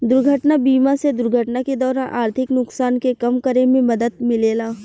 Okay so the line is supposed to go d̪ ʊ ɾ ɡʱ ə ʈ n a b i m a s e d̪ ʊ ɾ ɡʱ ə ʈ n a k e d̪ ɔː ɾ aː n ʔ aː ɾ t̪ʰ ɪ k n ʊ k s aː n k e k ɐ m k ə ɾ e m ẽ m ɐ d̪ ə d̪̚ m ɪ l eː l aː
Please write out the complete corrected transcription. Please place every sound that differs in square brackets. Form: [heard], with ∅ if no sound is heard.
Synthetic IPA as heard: d̪ ʊ ɾ ɡʱ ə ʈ n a b [iː] m a s e d̪ ʊ ɾ ɡʱ ə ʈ n a k e d̪ ɔː ɾ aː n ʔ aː ɾ t̪ʰ ɪ k n ʊ k s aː n k e k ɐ m k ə ɾ e m ẽ m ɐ d̪ ə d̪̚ m ɪ l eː l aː